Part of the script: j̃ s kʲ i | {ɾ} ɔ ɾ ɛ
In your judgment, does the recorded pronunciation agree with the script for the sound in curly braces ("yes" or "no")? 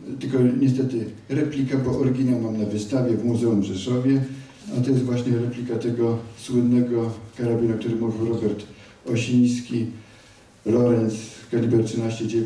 no